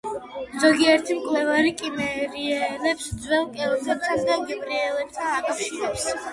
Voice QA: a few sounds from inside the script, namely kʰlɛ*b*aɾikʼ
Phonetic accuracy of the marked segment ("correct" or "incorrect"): incorrect